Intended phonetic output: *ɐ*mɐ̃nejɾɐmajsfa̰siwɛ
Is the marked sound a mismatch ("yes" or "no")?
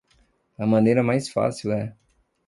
no